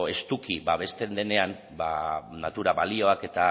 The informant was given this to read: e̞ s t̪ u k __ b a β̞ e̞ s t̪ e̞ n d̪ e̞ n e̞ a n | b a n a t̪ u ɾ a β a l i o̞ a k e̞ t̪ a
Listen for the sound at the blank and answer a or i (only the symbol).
i